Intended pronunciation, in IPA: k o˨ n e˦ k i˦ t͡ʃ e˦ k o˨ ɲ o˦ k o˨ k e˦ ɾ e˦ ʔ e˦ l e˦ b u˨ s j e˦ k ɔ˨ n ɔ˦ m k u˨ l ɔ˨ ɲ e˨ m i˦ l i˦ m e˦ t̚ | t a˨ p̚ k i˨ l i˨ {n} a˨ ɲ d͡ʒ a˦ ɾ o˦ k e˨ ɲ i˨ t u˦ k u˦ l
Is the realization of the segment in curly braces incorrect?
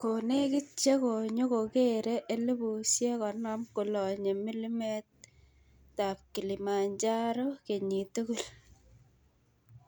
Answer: yes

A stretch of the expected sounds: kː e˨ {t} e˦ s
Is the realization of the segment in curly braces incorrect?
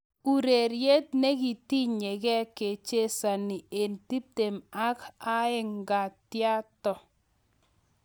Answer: yes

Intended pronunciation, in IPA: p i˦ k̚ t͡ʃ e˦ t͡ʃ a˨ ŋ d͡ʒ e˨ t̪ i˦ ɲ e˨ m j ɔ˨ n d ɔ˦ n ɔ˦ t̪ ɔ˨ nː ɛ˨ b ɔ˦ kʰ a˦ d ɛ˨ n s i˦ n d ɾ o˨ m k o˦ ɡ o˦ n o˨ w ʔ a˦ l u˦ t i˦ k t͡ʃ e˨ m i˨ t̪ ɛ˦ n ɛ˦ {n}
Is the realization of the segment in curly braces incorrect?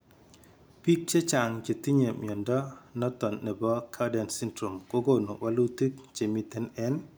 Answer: no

